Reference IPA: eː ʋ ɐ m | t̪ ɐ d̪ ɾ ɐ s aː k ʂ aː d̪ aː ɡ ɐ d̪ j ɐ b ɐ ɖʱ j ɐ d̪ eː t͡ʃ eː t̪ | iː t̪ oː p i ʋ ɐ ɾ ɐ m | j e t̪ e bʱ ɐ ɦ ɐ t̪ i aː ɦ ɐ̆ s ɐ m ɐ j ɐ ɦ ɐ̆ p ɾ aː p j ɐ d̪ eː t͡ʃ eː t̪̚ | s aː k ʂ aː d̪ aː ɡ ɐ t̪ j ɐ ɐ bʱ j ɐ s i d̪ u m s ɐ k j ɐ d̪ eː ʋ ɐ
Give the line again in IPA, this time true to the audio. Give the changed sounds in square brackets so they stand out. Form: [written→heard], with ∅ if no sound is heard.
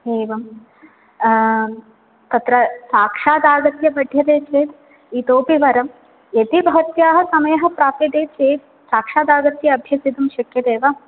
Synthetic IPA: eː ʋ ɐ m | t̪ ɐ [d̪→t̪] ɾ ɐ s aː k ʂ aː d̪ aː ɡ ɐ [d̪→t̪] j ɐ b ɐ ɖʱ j ɐ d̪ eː t͡ʃ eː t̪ | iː t̪ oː p i ʋ ɐ ɾ ɐ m | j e t̪ [e→i] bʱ ɐ ɦ ɐ t̪ [i→j] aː ɦ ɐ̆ s ɐ m ɐ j ɐ ɦ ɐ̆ p ɾ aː p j ɐ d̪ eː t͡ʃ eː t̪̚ | s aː k ʂ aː d̪ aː ɡ ɐ t̪ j ɐ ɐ bʱ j ɐ s i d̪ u m [s→ʃ] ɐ k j ɐ d̪ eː ʋ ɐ